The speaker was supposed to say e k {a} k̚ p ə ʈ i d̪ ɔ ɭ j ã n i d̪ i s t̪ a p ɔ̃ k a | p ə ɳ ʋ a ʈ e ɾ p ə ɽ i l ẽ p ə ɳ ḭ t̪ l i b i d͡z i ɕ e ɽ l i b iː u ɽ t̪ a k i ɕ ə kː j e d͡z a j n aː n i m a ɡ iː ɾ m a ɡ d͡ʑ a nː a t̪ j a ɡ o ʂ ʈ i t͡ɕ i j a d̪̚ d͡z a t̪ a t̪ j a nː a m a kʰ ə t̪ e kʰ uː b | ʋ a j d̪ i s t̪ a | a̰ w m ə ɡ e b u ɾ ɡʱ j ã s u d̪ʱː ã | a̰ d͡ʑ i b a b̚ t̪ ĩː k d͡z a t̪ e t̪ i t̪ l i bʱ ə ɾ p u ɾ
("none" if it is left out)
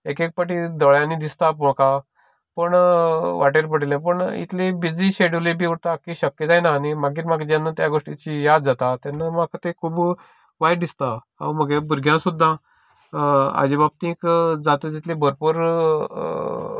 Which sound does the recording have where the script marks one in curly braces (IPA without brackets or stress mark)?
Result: e